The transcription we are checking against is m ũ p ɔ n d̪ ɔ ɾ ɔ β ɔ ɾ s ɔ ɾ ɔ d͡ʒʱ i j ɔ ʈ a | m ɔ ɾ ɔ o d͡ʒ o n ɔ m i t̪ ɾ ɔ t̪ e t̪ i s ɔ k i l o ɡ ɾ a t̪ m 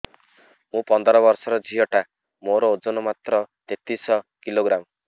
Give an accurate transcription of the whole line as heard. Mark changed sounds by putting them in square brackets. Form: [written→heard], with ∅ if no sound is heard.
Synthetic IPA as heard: m ũ p ɔ n d̪ ɔ ɾ ɔ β ɔ ɾ s ɔ ɾ ɔ d͡ʒʱ i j ɔ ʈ a | m [ɔ→o] ɾ ɔ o d͡ʒ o n ɔ m [i→a] t̪ ɾ ɔ t̪ e t̪ i s ɔ k i l o ɡ ɾ a [t̪→∅] m